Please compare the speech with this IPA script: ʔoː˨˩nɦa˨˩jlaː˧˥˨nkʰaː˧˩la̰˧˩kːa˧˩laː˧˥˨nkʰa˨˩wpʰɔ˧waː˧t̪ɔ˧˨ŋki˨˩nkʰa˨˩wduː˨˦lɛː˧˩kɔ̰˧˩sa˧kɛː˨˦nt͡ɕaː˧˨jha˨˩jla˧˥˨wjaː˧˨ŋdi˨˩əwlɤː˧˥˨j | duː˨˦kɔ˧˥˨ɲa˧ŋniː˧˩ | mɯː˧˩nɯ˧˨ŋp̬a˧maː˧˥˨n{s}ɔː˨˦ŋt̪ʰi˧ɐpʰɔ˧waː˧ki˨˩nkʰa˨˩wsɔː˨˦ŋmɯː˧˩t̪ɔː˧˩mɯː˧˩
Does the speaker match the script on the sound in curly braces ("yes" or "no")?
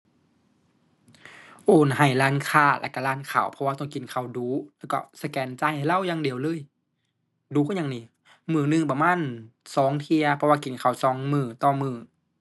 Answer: yes